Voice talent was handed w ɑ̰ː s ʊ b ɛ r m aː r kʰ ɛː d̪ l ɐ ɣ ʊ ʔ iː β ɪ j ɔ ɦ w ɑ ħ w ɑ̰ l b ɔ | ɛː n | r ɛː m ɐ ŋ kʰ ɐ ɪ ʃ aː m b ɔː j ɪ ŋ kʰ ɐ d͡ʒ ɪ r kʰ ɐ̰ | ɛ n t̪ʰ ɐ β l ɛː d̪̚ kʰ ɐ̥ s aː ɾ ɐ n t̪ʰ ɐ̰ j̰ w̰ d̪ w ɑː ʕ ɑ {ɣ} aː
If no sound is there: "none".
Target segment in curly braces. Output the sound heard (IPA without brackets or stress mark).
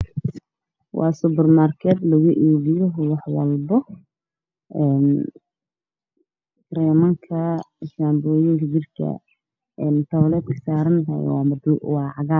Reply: ɣ